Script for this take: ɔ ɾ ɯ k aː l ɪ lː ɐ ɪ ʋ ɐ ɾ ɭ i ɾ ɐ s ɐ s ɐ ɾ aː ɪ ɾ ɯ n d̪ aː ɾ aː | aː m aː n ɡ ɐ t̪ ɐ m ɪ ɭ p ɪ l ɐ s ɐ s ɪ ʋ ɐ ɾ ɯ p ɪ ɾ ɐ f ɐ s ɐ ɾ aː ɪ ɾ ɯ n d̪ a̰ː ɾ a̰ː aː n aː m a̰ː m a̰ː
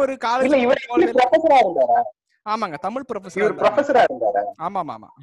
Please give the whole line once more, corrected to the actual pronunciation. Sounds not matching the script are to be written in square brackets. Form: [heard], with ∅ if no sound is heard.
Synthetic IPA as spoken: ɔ ɾ ɯ k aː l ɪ lː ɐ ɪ ʋ ɐ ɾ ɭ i ɾ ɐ [f] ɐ s ɐ ɾ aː ɪ ɾ ɯ n d̪ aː ɾ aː | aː m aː [ŋ] ɡ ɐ t̪ ɐ m ɪ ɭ p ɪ [ɾ] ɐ [f] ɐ s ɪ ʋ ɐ ɾ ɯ p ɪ ɾ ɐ f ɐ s ɐ ɾ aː ɪ ɾ ɯ n d̪ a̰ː ɾ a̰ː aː [m] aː m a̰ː m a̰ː